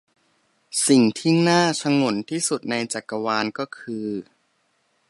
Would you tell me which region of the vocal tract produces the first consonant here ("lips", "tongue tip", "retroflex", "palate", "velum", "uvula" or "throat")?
tongue tip